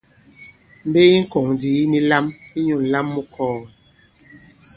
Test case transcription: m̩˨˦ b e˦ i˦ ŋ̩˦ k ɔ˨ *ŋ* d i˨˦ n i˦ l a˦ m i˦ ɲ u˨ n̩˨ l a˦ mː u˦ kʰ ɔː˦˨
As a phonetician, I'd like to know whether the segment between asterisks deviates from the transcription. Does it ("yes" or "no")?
no